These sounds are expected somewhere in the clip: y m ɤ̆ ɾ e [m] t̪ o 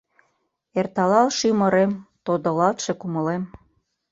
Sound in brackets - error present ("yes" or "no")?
no